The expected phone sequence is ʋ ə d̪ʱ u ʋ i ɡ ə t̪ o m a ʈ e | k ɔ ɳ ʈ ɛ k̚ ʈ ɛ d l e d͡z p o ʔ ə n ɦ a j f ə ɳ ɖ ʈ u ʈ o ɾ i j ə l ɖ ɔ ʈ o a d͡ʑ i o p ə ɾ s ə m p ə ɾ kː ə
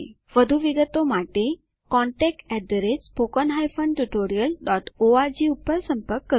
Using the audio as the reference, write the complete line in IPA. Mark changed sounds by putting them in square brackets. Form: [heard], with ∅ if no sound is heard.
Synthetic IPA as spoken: ʋ ə d̪ʱ u ʋ i ɡ ə t̪ o m a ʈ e | k ɔ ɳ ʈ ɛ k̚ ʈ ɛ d [ɾ] e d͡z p o [k] ə n ɦ a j f ə ɳ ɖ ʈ u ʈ o ɾ i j ə l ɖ ɔ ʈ o a d͡ʑ i [u] p ə ɾ s ə m p ə ɾ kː ə